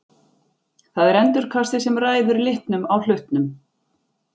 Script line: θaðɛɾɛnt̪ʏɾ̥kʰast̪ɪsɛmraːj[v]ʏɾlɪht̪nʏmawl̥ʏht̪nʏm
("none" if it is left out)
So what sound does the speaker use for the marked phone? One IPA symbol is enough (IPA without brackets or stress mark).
ð